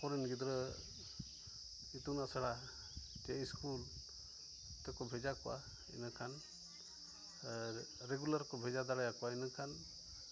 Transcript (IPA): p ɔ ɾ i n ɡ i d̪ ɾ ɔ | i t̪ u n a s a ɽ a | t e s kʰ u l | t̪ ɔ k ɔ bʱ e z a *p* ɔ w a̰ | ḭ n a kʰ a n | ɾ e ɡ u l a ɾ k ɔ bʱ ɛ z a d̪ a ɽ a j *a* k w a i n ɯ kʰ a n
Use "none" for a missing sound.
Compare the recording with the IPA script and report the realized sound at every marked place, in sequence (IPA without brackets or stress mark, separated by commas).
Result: k, a